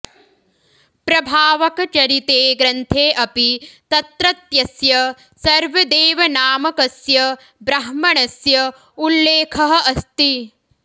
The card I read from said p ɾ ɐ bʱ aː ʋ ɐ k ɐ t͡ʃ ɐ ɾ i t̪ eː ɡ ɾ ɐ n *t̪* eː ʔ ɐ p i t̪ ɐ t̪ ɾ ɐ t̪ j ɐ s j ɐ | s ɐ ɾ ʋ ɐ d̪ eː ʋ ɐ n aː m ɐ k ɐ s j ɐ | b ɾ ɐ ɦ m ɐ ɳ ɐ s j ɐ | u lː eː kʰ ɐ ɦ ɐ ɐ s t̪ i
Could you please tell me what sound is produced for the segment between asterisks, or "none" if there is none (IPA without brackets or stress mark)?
t̪ʰ